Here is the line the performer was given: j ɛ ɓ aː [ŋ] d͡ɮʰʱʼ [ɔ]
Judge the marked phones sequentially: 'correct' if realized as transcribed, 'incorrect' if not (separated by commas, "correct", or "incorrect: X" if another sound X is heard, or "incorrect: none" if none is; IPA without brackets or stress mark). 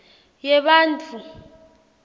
incorrect: n, incorrect: u